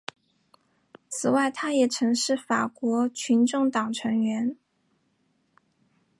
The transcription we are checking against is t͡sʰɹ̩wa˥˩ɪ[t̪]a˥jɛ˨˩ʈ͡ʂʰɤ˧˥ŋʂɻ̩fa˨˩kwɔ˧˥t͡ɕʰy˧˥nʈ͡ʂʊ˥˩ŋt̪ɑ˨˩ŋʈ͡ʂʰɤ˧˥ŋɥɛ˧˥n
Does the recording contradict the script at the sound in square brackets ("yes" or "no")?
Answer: yes